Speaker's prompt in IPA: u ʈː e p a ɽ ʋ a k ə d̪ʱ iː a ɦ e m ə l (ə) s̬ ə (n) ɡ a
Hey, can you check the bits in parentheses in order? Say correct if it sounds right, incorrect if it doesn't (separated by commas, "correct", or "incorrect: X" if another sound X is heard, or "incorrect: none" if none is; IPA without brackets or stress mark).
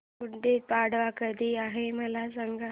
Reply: incorrect: a, incorrect: ŋ